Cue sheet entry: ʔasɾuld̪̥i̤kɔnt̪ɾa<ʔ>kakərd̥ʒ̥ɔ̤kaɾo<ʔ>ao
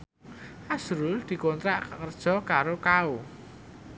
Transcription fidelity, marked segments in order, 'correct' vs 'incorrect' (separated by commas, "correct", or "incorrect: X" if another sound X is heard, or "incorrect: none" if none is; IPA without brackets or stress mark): correct, incorrect: k